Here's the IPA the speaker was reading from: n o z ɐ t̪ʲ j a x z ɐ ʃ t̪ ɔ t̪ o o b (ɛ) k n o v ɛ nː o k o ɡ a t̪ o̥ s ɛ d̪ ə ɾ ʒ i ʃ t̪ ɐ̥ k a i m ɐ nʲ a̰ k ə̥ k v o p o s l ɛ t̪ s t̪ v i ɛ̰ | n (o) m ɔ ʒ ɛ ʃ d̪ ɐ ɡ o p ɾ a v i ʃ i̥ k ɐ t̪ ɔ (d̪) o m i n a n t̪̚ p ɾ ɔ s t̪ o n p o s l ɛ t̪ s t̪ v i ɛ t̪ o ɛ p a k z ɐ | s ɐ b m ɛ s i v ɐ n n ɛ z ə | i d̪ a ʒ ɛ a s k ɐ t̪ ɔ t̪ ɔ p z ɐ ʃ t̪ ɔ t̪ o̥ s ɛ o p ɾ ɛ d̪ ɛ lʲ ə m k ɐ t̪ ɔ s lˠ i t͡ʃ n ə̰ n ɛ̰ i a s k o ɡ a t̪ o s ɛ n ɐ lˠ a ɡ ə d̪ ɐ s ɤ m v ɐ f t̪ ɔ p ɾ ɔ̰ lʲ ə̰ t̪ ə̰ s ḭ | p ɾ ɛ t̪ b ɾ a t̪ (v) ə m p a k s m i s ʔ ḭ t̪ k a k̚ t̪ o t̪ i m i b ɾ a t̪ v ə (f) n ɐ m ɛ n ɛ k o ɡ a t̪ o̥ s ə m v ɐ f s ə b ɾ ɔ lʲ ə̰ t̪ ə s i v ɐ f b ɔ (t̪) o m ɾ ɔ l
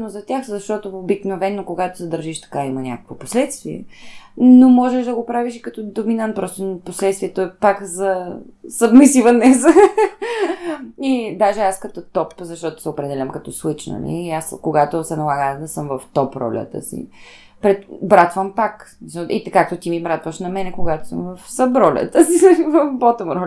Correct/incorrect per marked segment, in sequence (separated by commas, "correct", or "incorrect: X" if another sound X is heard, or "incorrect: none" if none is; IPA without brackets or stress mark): incorrect: i, correct, correct, correct, incorrect: ʃ, correct